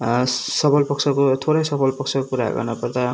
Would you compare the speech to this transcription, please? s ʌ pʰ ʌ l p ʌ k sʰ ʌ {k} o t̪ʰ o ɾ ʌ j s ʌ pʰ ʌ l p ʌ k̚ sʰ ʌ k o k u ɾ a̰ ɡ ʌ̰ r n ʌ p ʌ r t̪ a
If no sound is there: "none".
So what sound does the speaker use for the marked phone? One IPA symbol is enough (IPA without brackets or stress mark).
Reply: k